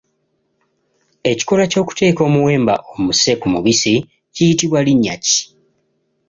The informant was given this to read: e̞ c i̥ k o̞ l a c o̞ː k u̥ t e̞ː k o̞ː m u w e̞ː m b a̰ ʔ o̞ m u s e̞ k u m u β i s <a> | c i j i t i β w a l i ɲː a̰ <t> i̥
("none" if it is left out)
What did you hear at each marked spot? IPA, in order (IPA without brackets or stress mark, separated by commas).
i, c